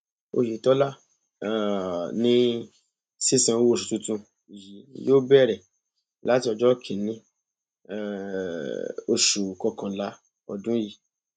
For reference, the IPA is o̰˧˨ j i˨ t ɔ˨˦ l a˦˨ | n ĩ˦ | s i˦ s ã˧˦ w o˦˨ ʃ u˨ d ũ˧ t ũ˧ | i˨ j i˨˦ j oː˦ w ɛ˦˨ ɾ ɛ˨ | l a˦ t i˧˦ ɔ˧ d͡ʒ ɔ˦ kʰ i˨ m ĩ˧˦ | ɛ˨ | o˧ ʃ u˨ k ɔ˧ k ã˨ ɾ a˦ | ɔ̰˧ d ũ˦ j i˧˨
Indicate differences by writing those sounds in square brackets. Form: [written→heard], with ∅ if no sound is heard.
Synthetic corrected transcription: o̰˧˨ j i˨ t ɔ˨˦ l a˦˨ | n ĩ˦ | s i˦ s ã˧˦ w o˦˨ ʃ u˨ [d→t] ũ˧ t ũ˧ | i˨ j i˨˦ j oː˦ [w→b] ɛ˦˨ ɾ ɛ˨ | l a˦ t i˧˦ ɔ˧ d͡ʒ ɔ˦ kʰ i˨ [m→n] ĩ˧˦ | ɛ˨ | o˧ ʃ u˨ k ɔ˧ k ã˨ [ɾ→l] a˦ | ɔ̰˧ d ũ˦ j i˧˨